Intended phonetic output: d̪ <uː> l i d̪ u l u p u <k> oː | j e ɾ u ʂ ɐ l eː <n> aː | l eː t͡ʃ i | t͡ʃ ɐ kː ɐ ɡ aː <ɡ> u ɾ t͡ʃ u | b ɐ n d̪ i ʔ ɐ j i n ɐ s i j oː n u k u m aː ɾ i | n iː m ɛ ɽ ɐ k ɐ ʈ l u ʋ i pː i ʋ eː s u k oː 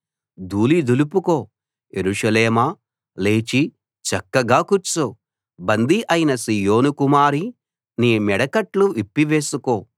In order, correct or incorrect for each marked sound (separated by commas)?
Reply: correct, correct, incorrect, incorrect